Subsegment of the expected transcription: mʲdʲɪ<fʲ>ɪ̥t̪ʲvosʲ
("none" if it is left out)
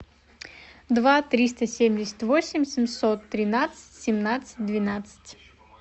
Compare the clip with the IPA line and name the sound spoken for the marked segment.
sʲ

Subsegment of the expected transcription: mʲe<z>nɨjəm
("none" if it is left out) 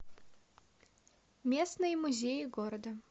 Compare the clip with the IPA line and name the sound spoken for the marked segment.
s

